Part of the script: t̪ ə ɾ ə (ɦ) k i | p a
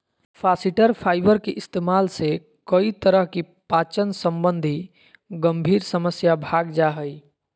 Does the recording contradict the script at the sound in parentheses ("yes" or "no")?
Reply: no